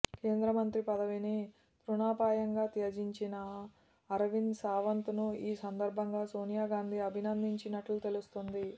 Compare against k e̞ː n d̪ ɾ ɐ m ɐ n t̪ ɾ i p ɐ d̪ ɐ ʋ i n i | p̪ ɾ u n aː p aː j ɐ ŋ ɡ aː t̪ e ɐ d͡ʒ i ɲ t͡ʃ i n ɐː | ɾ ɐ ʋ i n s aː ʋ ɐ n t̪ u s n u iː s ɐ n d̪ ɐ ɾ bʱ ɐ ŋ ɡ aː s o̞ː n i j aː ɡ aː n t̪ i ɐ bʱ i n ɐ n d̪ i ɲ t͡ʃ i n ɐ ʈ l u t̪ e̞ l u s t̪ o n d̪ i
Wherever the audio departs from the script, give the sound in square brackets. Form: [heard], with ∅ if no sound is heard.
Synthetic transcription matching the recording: k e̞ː n d̪ ɾ ɐ m ɐ n t̪ ɾ i p ɐ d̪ ɐ ʋ i n i | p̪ ɾ u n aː p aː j ɐ ŋ ɡ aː t̪ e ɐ d͡ʒ i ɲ t͡ʃ i n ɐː | ɾ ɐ ʋ i n s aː ʋ ɐ n t̪ u [∅] n u iː s ɐ n d̪ ɐ ɾ bʱ ɐ ŋ ɡ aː s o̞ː n i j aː ɡ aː n [d̪] i ɐ bʱ i n ɐ n d̪ i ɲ t͡ʃ i n ɐ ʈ l u t̪ e̞ l u s t̪ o n d̪ i